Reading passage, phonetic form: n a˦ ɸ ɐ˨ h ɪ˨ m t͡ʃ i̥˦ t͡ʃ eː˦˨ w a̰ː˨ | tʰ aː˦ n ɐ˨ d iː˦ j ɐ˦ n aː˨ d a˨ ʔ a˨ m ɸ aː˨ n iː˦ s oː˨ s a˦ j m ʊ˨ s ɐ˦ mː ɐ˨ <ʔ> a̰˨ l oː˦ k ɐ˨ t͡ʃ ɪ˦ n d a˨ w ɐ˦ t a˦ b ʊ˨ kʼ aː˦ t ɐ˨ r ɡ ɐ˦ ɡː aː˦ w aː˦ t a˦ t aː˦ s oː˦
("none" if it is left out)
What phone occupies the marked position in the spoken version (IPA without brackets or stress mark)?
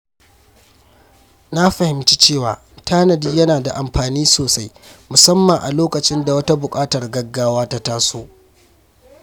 ʔ